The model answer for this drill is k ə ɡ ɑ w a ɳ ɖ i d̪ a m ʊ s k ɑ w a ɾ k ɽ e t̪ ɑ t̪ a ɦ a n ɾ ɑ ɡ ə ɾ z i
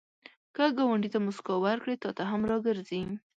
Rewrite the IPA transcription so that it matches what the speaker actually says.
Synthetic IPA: k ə ɡ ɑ w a ɳ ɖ i t̪ a m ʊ s k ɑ w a ɾ k ɽ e t̪ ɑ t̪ a ɦ a m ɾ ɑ ɡ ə ɾ z i